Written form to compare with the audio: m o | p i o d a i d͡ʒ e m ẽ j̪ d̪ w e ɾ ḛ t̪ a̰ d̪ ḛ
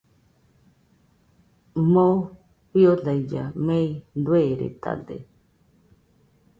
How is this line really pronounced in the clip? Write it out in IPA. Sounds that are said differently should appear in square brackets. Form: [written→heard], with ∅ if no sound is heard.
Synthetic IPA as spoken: m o | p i o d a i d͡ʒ [e→a] m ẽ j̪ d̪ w e ɾ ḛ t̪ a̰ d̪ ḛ